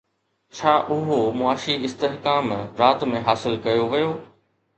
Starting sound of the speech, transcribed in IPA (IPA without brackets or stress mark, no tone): t͡ɕʰ